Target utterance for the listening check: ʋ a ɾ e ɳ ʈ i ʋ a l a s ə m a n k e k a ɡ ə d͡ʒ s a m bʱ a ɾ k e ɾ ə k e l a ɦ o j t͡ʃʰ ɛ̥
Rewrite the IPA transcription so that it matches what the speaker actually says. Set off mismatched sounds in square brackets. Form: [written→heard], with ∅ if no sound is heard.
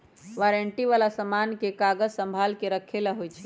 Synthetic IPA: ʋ a ɾ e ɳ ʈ i ʋ a l a s ə m a n k e k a ɡ ə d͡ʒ s [a→ə] m bʱ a [ɾ→l] k e ɾ ə [k→kʰ] e l a ɦ o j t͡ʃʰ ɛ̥